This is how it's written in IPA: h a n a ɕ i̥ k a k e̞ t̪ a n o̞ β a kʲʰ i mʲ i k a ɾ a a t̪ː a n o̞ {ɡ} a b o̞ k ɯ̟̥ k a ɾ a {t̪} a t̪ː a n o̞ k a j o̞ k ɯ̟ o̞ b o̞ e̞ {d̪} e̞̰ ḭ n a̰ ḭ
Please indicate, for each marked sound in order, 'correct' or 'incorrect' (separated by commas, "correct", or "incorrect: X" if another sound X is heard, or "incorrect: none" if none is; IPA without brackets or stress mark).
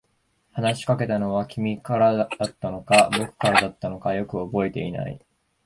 incorrect: k, incorrect: d̪, incorrect: t̪